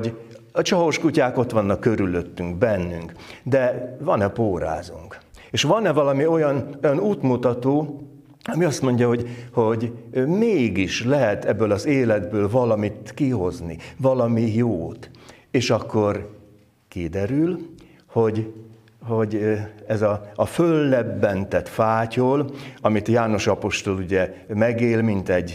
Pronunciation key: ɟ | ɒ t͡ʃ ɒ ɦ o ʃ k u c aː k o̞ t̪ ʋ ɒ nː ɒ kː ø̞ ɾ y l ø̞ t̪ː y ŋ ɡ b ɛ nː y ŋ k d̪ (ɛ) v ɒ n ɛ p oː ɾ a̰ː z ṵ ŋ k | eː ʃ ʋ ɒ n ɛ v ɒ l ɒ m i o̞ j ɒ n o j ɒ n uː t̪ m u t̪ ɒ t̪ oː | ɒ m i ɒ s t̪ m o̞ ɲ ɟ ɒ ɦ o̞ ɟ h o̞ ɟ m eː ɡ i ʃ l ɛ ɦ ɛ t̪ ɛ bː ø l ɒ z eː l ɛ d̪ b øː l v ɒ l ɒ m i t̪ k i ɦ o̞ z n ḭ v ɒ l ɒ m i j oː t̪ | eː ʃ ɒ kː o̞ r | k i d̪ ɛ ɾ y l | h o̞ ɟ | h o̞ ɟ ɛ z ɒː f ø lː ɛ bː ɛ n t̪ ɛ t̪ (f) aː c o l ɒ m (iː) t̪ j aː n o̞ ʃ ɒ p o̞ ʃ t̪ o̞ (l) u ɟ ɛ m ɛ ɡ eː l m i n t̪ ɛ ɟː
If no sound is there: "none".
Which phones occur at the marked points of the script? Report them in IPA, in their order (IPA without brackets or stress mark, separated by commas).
ɛ, f, i, l